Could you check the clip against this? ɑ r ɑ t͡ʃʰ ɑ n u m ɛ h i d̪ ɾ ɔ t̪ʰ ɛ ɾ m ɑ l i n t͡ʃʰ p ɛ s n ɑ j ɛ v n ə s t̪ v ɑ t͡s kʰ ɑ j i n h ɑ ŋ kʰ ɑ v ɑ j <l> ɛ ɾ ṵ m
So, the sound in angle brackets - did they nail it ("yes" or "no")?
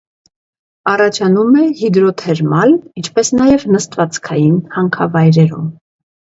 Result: no